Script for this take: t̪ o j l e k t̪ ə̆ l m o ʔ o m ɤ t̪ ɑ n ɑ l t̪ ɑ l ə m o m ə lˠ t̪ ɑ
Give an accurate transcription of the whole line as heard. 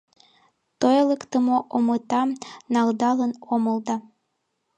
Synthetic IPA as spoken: t̪ o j l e k t̪ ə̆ m o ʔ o m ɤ t̪ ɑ n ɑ l d̪ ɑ l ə n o m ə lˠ d̪ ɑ